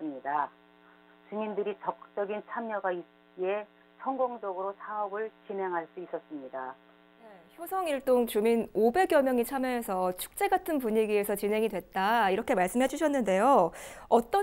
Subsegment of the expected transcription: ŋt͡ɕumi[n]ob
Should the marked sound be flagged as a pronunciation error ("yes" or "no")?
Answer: no